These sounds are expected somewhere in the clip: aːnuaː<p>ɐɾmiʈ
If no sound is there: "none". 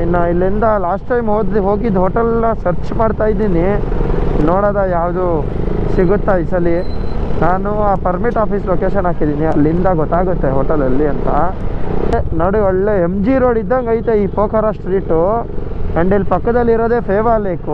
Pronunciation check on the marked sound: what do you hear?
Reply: p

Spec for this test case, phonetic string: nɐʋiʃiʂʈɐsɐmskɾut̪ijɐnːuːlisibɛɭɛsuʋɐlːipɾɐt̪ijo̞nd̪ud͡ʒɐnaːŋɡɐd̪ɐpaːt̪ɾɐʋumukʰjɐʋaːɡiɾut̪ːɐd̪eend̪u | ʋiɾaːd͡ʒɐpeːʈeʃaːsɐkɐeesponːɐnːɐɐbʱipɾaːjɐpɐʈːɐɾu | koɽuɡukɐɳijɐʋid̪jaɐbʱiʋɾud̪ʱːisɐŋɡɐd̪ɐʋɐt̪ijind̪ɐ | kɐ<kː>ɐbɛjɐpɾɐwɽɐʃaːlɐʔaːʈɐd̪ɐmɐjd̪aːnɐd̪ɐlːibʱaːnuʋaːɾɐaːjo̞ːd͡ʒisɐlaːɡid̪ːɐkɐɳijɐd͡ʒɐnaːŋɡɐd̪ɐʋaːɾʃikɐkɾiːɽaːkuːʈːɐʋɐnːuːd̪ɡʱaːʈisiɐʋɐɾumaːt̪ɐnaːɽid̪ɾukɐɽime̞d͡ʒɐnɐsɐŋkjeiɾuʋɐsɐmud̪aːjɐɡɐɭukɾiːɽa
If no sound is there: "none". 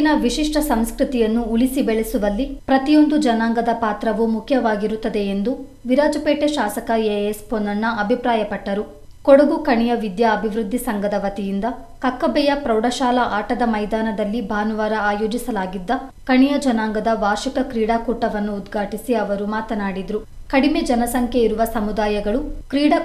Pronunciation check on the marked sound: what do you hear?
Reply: kː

